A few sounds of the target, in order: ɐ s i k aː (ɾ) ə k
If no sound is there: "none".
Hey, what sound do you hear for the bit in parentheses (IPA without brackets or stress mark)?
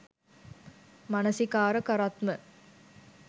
ɾ